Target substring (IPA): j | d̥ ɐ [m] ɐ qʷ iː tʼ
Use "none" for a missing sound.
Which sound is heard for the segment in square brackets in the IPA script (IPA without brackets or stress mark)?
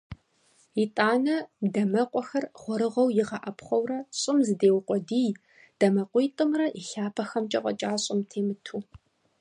m